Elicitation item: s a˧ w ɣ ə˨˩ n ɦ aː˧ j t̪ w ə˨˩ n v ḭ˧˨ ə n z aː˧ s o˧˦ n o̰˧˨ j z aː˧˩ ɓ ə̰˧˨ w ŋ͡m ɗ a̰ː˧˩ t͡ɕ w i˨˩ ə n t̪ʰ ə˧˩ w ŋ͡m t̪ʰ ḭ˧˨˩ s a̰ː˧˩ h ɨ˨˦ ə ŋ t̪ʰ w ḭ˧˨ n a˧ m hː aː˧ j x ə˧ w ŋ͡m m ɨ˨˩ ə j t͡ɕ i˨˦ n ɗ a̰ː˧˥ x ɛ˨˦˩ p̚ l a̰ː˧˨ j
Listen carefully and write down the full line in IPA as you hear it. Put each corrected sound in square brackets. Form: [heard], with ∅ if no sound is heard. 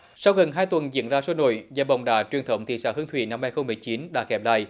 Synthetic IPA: s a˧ w ɣ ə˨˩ n ɦ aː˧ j t̪ w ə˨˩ n [z] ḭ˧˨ ə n z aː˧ s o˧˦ n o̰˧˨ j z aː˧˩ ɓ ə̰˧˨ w ŋ͡m ɗ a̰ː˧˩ t͡ɕ w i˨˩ ə n t̪ʰ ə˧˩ w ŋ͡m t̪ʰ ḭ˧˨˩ s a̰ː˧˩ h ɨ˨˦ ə ŋ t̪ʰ w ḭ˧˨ n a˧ m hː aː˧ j x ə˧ w ŋ͡m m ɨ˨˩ ə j t͡ɕ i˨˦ n ɗ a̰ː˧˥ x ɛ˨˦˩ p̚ l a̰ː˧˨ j